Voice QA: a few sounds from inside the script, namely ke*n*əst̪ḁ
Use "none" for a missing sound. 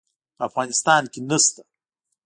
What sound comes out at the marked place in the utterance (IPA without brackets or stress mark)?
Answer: n